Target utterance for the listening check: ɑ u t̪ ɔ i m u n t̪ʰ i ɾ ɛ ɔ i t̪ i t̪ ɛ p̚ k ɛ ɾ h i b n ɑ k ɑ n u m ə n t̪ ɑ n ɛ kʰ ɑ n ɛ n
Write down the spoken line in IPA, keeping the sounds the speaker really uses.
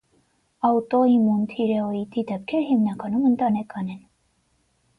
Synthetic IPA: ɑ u t̪ ɔ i m u n t̪ʰ i ɾ ɛ ɔ i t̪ i d̪ ɛ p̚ kʰ ɛ ɾ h i m n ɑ k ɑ n u m ə n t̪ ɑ n ɛ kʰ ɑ n ɛ n